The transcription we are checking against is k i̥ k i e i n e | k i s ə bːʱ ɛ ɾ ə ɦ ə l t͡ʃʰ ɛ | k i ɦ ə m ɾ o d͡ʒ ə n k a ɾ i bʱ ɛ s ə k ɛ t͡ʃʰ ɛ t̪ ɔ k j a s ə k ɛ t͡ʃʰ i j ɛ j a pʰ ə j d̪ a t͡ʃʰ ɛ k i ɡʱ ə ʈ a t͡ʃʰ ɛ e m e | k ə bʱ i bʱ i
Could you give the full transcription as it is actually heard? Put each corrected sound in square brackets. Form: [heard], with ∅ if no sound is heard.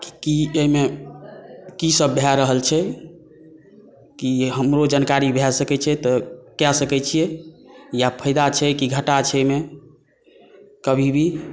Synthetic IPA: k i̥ k i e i [m] e | k i s ə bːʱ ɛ ɾ ə ɦ ə l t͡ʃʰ ɛ | k i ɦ ə m ɾ o d͡ʒ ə n k a ɾ i bʱ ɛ s ə k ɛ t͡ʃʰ ɛ t̪ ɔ k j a s ə k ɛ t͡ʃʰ i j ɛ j a pʰ ə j d̪ a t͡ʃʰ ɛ k i ɡʱ ə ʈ a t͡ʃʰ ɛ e m e | k ə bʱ i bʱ i